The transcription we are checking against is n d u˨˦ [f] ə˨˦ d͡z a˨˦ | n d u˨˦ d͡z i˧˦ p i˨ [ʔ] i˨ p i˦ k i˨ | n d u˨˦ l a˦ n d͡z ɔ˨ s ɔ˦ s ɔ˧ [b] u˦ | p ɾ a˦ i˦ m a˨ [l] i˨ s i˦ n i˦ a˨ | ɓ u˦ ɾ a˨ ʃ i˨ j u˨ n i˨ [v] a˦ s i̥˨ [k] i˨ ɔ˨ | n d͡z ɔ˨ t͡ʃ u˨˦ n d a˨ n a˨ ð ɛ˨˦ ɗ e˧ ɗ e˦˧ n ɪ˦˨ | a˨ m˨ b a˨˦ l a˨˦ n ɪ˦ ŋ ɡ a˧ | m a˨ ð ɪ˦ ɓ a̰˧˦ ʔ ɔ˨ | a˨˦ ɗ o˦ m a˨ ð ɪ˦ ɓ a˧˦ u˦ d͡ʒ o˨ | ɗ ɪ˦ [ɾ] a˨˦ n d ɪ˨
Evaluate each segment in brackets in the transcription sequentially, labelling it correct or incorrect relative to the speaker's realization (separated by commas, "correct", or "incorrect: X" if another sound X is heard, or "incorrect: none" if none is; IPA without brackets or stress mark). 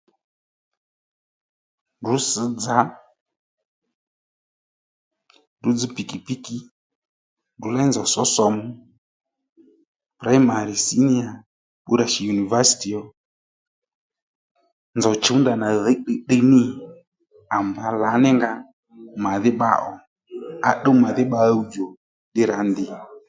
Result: incorrect: s, incorrect: k, incorrect: m, incorrect: ɾ, correct, incorrect: t, correct